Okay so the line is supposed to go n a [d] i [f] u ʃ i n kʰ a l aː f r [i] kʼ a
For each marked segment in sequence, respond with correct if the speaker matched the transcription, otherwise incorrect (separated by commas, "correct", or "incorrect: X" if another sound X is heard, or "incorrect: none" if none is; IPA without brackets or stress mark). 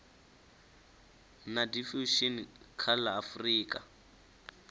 correct, correct, incorrect: iː